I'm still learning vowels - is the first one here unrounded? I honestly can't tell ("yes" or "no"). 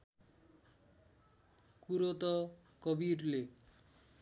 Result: no